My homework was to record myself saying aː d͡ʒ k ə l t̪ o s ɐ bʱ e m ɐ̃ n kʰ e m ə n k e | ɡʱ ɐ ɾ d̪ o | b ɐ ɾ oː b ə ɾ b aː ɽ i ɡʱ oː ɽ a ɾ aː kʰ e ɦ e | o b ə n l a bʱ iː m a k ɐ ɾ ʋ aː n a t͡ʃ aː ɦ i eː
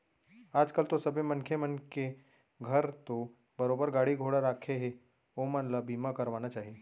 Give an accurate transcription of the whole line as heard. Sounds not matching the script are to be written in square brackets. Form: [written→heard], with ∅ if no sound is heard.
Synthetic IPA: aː d͡ʒ k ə l t̪ o s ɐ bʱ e m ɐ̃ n kʰ e m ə n k e | ɡʱ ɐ ɾ [d̪→t̪] o | b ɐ ɾ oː b ə ɾ [b→ɡ] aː ɽ i ɡʱ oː ɽ a ɾ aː kʰ e ɦ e | o [b→m] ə n l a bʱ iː m a k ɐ ɾ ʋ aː n a t͡ʃ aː ɦ i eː